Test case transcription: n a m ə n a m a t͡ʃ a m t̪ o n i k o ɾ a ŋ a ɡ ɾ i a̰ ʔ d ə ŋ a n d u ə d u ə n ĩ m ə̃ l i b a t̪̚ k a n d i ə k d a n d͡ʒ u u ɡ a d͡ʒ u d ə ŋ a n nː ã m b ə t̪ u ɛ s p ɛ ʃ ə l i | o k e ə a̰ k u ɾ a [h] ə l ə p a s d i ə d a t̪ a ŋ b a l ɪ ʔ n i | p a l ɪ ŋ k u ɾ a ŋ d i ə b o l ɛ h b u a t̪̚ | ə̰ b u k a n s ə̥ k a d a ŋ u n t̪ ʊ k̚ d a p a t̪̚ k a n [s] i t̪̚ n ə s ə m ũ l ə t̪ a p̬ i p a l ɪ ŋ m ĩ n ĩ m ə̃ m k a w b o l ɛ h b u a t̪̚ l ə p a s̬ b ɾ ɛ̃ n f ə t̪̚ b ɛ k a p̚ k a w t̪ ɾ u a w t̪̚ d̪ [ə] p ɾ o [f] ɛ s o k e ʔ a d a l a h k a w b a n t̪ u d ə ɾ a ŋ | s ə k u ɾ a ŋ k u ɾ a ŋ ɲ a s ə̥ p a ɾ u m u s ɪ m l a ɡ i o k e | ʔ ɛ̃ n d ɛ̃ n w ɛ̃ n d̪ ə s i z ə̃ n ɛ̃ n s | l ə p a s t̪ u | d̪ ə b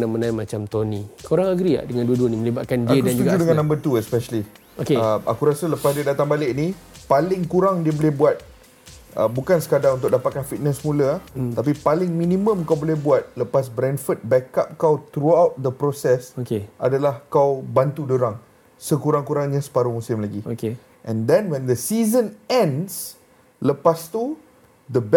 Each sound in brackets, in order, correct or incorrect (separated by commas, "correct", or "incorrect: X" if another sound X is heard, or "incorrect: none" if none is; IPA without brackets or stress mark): incorrect: s, incorrect: f, correct, incorrect: s